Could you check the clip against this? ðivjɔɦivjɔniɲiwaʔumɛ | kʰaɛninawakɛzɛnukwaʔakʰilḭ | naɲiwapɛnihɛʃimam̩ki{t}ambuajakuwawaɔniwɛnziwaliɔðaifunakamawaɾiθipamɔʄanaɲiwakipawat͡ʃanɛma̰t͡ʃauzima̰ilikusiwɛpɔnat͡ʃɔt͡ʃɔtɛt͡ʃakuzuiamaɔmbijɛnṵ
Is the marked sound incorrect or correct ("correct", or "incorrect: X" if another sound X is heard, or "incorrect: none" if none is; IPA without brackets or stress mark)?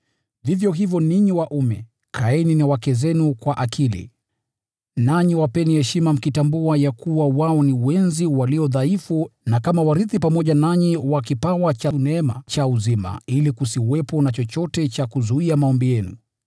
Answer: correct